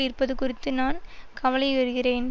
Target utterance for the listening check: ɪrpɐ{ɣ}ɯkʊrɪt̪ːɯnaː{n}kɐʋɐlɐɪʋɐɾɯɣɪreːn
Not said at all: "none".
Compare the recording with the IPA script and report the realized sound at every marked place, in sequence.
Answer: ð, n

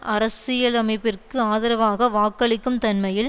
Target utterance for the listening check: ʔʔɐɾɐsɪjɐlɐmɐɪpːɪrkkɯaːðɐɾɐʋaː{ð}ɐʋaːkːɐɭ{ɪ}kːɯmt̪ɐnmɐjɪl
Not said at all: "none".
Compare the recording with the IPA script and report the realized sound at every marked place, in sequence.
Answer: ɣ, ɪ

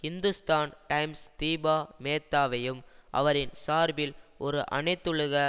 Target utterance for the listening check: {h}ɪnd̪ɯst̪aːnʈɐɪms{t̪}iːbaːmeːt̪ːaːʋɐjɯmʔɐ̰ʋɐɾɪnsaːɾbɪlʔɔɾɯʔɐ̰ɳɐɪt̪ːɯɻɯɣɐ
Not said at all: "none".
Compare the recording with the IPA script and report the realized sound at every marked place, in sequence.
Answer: h, t̪

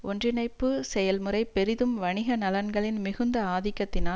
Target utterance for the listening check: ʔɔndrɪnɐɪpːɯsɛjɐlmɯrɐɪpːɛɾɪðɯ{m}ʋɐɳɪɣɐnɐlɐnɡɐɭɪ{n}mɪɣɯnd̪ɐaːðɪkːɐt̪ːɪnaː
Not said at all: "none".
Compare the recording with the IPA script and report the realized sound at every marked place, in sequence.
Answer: m, n

